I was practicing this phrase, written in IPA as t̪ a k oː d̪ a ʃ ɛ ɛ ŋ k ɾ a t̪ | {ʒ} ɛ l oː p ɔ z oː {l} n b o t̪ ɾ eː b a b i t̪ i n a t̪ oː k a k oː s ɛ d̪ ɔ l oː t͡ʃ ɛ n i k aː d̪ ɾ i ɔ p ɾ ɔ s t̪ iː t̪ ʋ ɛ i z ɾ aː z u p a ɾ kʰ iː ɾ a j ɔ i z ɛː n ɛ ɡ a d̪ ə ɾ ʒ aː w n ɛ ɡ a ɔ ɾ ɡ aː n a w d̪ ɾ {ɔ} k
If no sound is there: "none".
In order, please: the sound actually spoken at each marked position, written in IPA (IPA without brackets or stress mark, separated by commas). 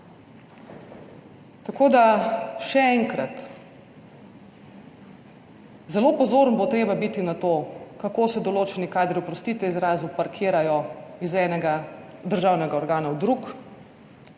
z, ɾ, u